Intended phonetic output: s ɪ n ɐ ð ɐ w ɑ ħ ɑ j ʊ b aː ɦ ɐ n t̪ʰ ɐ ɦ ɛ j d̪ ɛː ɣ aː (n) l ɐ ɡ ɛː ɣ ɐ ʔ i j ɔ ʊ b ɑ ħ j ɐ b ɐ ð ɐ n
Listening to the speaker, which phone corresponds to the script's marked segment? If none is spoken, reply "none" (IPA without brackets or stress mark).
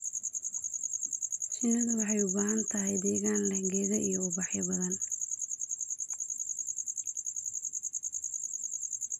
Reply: n